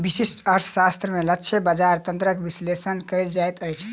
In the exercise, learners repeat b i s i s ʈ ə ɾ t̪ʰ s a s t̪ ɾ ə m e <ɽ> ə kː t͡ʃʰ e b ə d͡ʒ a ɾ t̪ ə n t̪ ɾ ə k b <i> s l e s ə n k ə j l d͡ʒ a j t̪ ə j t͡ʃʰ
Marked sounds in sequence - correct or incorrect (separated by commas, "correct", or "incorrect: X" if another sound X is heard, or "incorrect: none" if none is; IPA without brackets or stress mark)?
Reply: incorrect: l, correct